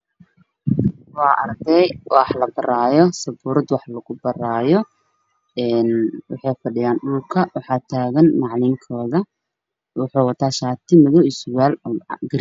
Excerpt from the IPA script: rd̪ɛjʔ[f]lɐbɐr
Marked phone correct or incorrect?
incorrect